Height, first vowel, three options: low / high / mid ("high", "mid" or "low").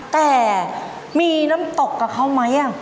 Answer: mid